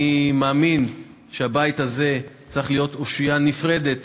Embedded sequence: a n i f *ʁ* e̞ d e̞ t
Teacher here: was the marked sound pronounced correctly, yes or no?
yes